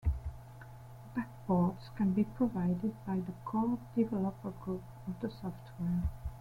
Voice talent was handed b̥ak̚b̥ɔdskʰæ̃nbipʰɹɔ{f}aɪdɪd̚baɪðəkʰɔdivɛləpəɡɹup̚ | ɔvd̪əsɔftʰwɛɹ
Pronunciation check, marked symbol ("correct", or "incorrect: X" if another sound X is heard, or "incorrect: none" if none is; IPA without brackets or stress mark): incorrect: v